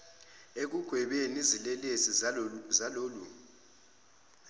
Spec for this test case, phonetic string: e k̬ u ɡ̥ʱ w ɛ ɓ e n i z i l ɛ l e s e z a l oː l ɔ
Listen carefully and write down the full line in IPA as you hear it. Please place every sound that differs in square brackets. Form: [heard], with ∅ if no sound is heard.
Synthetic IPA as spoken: e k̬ u ɡ̥ʱ w ɛ ɓ e n i z i l ɛ l e s [i] z a l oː l [u]